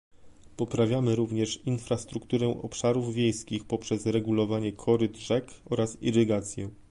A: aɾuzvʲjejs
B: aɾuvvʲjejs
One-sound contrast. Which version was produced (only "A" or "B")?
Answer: B